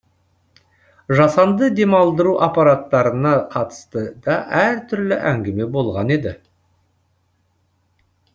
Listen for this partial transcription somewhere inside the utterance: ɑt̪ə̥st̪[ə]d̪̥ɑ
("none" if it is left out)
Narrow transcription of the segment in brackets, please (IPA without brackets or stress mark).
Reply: ə